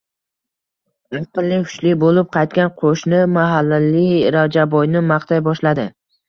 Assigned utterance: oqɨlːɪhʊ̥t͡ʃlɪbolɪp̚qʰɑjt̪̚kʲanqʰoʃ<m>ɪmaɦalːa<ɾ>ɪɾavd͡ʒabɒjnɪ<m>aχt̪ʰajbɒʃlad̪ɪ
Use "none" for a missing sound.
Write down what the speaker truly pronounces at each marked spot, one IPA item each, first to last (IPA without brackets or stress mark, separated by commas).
n, l, m